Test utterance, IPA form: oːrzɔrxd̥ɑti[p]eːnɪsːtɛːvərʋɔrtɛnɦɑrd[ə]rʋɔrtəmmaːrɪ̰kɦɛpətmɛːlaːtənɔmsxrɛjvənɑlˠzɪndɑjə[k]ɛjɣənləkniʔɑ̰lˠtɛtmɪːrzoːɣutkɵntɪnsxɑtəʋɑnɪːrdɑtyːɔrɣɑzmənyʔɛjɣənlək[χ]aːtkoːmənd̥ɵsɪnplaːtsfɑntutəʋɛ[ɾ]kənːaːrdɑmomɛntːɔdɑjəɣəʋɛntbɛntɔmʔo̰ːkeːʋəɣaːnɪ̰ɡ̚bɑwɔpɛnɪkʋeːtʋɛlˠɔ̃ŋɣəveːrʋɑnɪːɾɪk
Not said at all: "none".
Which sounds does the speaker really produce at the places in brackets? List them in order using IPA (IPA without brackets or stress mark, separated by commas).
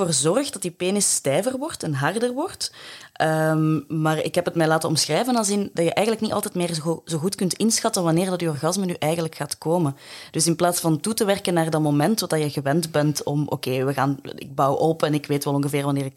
p, ə, ʔ, x, r